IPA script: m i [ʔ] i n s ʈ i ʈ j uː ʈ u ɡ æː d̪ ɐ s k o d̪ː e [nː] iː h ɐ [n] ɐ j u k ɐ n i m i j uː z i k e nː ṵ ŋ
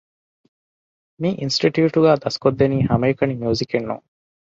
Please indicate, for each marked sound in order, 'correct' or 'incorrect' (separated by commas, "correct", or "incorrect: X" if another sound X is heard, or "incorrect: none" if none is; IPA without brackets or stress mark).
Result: correct, incorrect: n, incorrect: m